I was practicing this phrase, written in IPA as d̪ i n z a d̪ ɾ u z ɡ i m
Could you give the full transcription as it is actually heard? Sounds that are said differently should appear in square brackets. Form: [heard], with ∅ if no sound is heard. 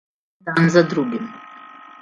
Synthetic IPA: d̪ [a] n z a d̪ ɾ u [∅] ɡ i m